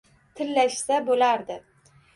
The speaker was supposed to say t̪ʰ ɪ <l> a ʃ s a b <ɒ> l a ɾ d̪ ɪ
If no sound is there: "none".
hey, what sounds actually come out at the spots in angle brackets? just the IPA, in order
lː, o

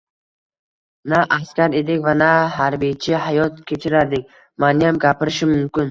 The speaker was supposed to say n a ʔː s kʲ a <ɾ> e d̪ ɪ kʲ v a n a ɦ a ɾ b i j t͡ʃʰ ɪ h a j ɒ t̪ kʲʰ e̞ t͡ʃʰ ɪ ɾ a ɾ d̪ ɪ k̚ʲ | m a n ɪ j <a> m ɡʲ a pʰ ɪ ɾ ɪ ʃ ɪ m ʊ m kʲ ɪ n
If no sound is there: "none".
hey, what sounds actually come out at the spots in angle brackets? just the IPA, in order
ɾ, a

